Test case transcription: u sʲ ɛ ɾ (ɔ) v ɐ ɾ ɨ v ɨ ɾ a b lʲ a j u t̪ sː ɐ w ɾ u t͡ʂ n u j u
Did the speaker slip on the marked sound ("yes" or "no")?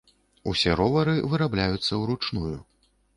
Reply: no